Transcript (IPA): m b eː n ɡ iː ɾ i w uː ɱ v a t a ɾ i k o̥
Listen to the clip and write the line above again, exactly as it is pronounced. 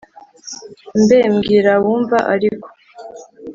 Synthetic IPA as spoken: m b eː m ɡ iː ɾ a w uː ɱ v a ʔ a ɾ i k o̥